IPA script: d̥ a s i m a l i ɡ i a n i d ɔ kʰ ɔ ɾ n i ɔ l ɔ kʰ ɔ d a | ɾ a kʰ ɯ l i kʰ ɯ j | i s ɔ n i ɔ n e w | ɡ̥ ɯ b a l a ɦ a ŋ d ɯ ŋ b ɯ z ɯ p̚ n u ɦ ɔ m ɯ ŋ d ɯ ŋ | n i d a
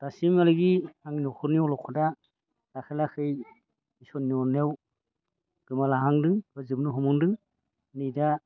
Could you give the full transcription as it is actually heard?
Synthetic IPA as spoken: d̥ a s i m a l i ɡ i a ŋ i n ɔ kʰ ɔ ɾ n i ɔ l ɔ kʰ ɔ d a | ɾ a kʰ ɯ l a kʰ ɯ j | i s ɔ n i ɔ n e w | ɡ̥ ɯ m a l a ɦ a ŋ d ɯ ŋ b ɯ z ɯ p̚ n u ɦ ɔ m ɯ ŋ d ɯ ŋ | n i d a